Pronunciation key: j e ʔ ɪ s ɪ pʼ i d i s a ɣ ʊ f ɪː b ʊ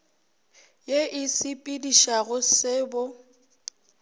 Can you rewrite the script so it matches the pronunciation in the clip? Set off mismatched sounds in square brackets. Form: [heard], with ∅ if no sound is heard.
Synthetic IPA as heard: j e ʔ ɪ s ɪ pʼ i d i [ʃ] a ɣ ʊ [s] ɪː b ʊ